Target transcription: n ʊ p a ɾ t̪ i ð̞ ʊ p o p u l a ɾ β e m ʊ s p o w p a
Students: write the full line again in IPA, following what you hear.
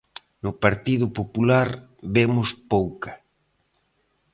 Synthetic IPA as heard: n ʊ p a ɾ t̪ i ð̞ ʊ p o p u l a ɾ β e m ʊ s p o w k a

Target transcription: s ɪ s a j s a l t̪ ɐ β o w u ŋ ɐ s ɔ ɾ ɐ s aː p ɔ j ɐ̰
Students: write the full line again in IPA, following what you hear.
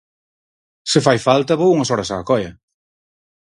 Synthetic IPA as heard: s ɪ f a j f a l t̪ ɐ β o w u ŋ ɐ s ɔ ɾ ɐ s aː k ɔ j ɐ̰

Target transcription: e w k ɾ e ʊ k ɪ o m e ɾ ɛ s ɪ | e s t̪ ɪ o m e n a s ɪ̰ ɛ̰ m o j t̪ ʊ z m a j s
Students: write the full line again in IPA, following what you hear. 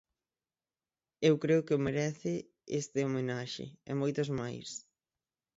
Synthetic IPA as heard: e w k ɾ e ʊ k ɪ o m e ɾ ɛ θ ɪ | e s t̪ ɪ o m e n a ʃ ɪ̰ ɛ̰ m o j t̪ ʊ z m a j s

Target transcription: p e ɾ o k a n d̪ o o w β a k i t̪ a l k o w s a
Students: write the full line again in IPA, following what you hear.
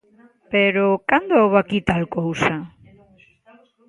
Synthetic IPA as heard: p e ɾ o k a n d̪ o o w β a k i t̪ a l k o w s a

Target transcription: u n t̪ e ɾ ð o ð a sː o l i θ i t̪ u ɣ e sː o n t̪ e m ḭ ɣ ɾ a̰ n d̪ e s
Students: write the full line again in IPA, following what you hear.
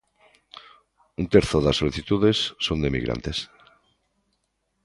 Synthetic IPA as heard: u n t̪ e ɾ θ o ð a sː o l i θ i t̪ u ð e sː o n d̪ e m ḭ ɣ ɾ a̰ n t̪ e s

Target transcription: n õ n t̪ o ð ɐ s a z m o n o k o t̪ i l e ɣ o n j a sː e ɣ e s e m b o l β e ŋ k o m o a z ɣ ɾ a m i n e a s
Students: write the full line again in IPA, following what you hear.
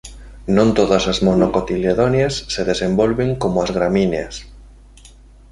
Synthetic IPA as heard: n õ n t̪ o ð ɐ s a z m o n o k o t̪ i l e ð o n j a sː e ð e s e m b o l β e ŋ k o m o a z ɣ ɾ a m i n e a s

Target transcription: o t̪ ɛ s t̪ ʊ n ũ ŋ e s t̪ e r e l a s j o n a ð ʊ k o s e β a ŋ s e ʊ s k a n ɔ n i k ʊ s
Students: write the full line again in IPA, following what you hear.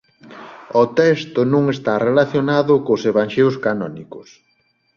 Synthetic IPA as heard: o t̪ ɛ s t̪ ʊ n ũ ŋ e s t̪ a r e l a θ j o n a ð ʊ k o s e β a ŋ ʃ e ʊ s k a n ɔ n i k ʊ s

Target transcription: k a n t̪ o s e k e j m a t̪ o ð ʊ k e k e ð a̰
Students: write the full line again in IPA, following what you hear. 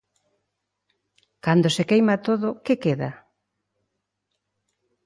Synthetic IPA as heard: k a n d̪ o s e k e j m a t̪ o ð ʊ k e k e ð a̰

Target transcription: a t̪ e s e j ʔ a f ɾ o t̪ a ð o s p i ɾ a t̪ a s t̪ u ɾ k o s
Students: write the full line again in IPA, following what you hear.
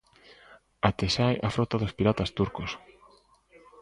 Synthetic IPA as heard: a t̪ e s a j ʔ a f ɾ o t̪ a ð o s p i ɾ a t̪ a s t̪ u ɾ k o s

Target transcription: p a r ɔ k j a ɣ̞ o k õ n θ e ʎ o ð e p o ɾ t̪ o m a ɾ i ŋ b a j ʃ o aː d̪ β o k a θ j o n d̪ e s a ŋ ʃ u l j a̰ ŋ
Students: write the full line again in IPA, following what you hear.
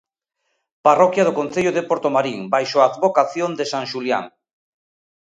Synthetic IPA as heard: p a r ɔ k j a ð̞ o k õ n θ e ʎ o ð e p o ɾ t̪ o m a ɾ i ŋ b a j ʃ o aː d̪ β o k a θ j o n d̪ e s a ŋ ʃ u l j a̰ ŋ

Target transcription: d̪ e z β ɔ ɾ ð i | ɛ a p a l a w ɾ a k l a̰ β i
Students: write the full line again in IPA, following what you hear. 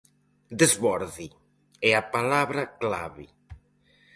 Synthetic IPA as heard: d̪ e z β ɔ ɾ ð i | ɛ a p a l a β ɾ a k l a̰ β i

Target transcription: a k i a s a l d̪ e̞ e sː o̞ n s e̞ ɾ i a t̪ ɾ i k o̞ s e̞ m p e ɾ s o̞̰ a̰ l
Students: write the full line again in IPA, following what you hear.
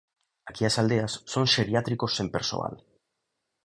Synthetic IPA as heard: a k i a s a l d̪ e̞ a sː o̞ n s e̞ ɾ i a t̪ ɾ i k o̞ s e̞ m p e ɾ s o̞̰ a̰ l

